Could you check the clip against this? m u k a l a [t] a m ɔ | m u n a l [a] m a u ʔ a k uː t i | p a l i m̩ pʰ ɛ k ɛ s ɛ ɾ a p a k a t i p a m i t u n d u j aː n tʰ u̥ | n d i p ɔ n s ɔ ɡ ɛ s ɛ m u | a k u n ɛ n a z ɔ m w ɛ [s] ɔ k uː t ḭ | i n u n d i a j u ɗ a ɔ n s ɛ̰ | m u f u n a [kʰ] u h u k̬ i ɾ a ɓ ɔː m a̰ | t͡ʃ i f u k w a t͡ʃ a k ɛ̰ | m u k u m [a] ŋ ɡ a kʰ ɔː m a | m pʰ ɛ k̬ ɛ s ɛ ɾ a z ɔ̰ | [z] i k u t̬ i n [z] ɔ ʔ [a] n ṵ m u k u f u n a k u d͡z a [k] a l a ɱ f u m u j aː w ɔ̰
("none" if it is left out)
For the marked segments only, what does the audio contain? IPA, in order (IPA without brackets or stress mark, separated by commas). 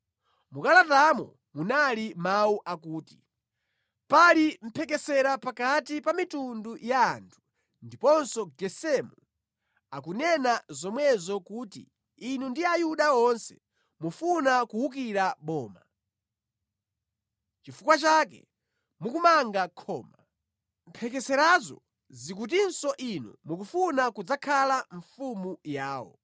t, i, z, k, a, z, s, i, kʰ